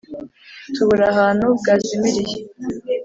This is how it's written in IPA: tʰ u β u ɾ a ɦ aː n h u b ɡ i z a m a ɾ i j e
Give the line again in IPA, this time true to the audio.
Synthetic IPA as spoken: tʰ u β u ɾ a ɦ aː n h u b ɡ a z i m i ɾ i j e